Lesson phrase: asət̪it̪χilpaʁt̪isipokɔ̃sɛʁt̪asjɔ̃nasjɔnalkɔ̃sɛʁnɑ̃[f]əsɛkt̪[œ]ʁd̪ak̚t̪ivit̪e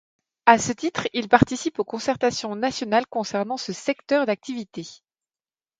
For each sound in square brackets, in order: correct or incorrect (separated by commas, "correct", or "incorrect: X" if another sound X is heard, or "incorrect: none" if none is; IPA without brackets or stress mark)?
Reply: incorrect: s, correct